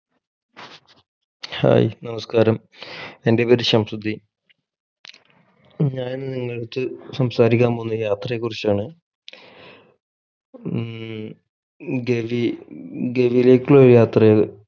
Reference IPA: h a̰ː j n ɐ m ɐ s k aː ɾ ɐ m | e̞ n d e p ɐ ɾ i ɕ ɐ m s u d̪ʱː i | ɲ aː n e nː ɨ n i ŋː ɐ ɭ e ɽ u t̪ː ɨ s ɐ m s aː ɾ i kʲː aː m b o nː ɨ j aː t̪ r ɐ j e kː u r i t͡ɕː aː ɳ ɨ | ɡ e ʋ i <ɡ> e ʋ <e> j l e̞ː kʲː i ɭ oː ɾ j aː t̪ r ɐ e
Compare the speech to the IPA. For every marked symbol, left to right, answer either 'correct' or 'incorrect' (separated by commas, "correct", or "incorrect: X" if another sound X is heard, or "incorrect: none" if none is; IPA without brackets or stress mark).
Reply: correct, incorrect: i